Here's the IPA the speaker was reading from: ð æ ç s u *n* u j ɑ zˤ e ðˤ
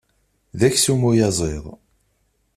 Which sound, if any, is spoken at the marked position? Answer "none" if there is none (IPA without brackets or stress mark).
m